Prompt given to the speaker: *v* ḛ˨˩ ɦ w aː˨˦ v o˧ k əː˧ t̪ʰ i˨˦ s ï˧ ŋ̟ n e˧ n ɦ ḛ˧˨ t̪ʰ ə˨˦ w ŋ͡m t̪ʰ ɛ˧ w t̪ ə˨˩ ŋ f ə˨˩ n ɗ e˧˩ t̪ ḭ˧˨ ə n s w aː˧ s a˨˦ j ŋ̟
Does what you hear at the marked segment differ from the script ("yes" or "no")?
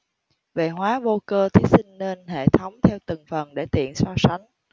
no